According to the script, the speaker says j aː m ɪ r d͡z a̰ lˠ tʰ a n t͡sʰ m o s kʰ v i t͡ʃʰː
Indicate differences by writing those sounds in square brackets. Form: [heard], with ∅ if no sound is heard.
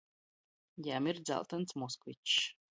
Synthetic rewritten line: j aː m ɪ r d͡z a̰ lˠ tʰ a n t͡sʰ m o s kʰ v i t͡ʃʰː